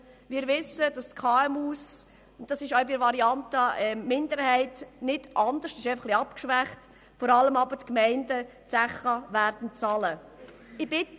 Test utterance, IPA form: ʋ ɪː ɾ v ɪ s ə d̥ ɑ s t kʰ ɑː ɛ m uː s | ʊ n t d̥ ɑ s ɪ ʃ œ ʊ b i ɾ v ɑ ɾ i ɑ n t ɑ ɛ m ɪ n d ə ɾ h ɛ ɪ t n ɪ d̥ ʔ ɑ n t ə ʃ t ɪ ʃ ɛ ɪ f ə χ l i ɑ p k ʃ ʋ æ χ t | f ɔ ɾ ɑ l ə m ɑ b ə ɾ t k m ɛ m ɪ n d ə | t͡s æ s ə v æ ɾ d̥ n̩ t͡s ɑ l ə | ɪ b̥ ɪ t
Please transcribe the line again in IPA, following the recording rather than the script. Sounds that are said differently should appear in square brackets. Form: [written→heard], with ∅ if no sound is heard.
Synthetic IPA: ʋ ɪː ɾ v ɪ s ə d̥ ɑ s t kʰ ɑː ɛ m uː s | ʊ n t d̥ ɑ s ɪ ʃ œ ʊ b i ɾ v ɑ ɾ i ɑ n t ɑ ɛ m ɪ n d ə ɾ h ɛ ɪ t n ɪ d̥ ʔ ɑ n [t→d] ə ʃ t ɪ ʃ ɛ ɪ f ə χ l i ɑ p k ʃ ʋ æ χ t | f ɔ ɾ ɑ l ə m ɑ b ə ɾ t k m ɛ [m→∅] ɪ n d ə | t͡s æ [s→χ] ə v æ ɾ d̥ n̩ t͡s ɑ l ə | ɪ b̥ ɪ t